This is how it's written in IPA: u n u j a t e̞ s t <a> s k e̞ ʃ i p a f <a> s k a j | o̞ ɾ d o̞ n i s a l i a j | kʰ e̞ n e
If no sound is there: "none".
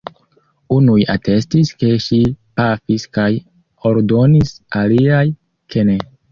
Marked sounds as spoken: i, i

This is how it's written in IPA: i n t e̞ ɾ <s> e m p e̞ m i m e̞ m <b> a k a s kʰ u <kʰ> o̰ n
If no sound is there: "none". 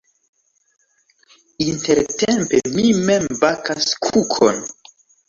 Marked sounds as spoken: t, b, kʰ

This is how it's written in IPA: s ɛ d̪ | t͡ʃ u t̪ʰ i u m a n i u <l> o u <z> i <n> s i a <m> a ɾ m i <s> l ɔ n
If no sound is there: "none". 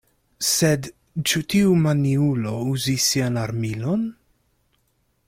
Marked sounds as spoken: l, z, none, n, none

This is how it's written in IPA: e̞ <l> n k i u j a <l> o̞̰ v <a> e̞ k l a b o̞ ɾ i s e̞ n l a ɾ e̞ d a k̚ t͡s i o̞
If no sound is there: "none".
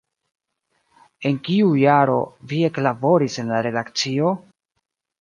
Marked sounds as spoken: none, ɾ, i

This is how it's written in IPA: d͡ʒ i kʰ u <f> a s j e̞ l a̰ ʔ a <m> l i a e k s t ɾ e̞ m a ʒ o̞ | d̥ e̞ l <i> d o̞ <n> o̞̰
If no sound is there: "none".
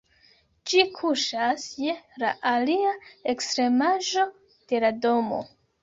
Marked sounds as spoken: ʃ, none, a, m

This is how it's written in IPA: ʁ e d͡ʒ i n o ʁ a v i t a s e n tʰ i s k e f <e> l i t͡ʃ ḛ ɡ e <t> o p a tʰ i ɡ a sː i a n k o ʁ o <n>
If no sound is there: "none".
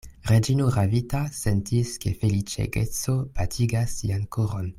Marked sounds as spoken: e, t͡s, n

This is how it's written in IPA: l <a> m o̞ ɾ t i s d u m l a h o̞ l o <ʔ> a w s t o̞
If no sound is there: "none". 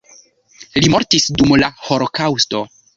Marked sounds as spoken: i, k

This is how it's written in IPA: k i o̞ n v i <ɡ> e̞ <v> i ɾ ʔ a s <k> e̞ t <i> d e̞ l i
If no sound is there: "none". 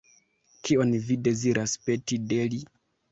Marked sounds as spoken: d, z, p, i

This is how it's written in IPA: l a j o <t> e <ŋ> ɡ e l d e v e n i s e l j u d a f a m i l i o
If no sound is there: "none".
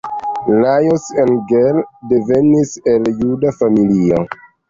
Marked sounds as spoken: s, n

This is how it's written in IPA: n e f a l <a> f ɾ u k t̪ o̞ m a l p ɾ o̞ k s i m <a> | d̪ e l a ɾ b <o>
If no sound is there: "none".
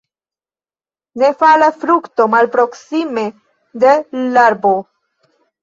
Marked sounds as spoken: a, e, o

